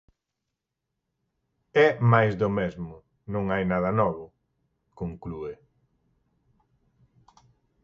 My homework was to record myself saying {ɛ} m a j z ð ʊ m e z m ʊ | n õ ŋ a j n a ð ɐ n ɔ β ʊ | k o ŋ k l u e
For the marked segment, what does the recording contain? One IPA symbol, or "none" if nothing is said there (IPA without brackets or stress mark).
ɛ